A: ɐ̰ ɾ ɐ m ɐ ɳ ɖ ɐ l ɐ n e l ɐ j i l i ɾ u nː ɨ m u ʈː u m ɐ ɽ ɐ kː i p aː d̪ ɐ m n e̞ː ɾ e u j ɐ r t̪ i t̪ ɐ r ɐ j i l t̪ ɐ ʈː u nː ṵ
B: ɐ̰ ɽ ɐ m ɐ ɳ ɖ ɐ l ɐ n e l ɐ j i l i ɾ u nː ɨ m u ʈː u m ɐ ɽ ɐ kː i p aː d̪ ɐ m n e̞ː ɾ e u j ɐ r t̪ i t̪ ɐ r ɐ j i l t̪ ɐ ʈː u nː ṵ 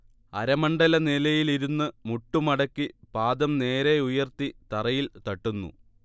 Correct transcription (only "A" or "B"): A